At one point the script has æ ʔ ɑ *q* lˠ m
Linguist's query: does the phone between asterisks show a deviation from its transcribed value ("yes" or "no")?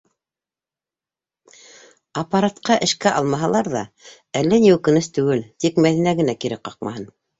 yes